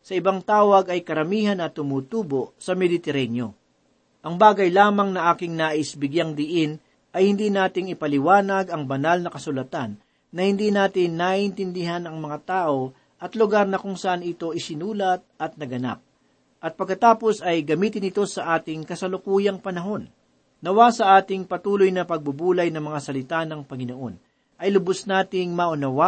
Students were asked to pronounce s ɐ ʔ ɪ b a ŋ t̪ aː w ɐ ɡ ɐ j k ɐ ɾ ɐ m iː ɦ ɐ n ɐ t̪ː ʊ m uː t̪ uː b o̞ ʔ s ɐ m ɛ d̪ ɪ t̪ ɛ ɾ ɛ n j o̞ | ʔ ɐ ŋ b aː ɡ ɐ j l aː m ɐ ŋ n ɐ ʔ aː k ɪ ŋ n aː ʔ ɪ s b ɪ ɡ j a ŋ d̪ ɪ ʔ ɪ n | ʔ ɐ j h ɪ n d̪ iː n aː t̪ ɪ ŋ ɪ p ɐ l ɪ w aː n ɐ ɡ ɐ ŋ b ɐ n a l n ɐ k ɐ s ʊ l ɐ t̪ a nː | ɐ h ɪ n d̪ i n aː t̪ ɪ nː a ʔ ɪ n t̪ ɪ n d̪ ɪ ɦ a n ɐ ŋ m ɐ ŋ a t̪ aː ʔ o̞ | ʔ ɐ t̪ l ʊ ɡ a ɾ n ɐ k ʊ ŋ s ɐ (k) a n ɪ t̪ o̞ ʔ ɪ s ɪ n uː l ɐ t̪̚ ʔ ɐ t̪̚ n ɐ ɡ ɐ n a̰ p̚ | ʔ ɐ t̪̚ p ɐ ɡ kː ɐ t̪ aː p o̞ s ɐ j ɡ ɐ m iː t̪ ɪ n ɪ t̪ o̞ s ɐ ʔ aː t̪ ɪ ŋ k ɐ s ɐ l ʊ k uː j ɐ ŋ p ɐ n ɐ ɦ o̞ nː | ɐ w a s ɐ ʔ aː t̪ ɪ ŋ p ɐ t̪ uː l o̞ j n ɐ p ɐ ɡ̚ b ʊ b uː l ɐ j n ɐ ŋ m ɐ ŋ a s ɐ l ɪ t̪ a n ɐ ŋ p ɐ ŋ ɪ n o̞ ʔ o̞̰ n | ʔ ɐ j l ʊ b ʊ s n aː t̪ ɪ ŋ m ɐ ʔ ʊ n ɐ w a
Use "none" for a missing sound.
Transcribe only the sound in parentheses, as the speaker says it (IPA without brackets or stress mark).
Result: ʔ